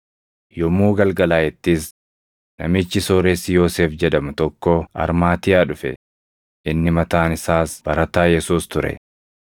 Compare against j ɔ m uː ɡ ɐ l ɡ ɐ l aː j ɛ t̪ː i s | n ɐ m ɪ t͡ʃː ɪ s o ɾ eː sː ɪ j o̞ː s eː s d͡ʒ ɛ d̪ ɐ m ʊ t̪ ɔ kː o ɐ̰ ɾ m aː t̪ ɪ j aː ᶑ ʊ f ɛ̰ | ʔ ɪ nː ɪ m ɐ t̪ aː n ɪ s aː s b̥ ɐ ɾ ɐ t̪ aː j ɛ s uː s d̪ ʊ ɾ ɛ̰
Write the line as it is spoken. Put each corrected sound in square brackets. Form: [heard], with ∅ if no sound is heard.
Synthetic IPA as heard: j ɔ m uː ɡ ɐ l ɡ ɐ l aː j ɛ t̪ː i s | n ɐ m ɪ t͡ʃː ɪ s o ɾ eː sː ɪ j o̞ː s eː [f] d͡ʒ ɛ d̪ ɐ m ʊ t̪ ɔ kː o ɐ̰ ɾ m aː t̪ ɪ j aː ᶑ ʊ f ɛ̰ | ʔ ɪ nː ɪ m ɐ t̪ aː n ɪ s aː s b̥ ɐ ɾ ɐ t̪ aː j ɛ s uː s [t̪] ʊ ɾ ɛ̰